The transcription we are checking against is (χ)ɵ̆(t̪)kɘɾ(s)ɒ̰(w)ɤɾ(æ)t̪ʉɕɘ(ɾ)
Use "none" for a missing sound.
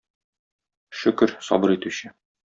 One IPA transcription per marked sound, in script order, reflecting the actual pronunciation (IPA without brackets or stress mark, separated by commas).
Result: ʃ, none, s, b, i, none